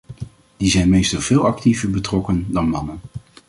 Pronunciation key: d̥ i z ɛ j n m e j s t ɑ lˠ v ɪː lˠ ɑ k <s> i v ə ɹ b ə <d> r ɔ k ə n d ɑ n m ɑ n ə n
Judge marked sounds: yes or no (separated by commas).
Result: no, no